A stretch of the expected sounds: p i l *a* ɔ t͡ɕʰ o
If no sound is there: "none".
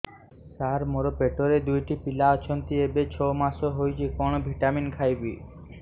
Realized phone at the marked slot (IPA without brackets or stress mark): a